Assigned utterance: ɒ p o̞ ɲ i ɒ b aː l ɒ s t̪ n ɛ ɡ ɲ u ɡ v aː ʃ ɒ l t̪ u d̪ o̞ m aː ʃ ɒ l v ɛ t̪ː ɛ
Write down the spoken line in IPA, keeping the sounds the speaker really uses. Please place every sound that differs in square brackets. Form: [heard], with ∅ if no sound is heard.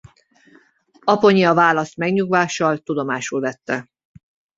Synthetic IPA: ɒ p o̞ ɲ i ɒ [v] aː l ɒ s t̪ [m] ɛ ɡ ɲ u ɡ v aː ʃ ɒ l t̪ u d̪ o̞ m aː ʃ [u] l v ɛ t̪ː ɛ